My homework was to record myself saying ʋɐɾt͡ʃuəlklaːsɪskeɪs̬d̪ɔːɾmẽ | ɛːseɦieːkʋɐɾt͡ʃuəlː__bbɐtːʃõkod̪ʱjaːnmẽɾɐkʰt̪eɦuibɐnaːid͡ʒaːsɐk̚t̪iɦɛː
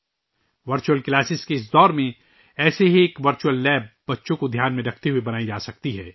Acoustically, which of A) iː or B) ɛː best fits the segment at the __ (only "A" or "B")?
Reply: B